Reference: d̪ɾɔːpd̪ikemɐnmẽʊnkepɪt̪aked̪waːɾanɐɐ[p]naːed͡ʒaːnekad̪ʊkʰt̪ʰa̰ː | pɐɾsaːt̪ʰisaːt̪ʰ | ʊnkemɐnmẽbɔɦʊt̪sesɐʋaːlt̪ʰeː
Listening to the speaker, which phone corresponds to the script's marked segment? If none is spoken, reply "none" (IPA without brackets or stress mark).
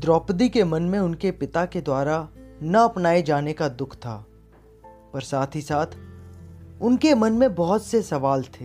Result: p